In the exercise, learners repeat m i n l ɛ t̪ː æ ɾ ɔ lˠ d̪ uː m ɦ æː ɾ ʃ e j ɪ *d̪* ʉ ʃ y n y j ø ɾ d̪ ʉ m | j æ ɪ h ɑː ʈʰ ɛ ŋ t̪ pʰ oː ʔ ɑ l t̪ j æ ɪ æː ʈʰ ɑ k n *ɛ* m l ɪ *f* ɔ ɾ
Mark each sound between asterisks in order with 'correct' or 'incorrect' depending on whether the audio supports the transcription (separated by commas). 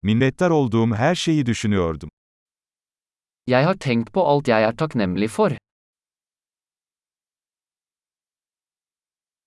correct, correct, correct